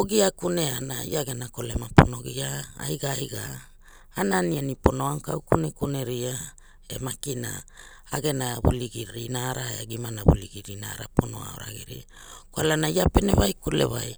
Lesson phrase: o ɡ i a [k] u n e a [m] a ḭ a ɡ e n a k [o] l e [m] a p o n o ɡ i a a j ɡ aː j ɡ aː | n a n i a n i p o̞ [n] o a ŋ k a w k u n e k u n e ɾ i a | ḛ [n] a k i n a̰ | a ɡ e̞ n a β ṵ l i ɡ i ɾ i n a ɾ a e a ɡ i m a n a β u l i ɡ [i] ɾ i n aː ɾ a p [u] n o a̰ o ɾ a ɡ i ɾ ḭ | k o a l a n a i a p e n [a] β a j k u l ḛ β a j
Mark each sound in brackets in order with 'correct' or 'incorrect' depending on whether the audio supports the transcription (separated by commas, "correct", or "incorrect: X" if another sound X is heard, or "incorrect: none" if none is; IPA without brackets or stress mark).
correct, incorrect: n, correct, correct, correct, incorrect: m, correct, incorrect: o, incorrect: e